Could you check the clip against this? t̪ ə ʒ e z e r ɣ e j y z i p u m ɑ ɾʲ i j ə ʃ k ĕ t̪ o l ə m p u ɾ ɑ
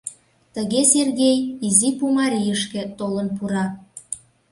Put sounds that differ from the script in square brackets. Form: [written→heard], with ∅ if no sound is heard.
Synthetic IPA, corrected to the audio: t̪ ə [ʒ→ɣ] e [z→s] e r ɣ e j [y→i] z i p u m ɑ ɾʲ i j ə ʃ k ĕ t̪ o l ə [m→n] p u ɾ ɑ